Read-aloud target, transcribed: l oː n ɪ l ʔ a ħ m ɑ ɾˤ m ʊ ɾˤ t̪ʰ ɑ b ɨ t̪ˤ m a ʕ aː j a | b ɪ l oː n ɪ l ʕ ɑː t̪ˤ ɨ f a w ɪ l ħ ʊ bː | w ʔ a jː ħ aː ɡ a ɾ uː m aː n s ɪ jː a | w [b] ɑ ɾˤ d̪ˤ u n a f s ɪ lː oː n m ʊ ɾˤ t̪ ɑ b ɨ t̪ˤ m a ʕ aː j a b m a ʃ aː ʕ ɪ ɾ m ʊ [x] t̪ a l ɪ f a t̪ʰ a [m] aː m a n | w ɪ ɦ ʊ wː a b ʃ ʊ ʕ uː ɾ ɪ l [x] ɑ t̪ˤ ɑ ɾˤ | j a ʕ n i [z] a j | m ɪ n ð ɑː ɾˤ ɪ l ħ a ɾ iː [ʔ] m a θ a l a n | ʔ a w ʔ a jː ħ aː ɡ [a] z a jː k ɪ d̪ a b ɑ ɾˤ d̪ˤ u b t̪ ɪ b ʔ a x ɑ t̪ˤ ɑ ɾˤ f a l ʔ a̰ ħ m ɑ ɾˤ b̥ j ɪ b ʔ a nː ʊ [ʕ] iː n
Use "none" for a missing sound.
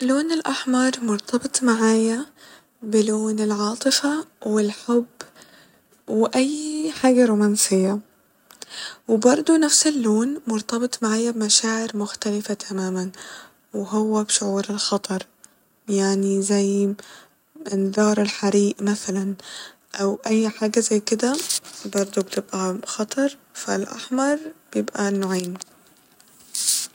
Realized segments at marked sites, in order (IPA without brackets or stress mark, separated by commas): b, x, m, x, z, ʔ, a, ʕ